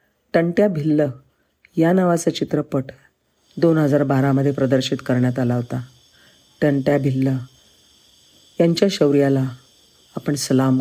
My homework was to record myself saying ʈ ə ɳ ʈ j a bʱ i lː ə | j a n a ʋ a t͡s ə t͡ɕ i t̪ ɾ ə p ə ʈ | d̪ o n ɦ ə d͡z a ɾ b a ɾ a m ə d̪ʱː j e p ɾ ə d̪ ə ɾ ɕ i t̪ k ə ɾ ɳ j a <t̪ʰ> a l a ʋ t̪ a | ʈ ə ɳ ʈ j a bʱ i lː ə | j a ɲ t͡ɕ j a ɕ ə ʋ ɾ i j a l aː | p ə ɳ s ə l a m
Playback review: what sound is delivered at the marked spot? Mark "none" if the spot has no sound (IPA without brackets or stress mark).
t̪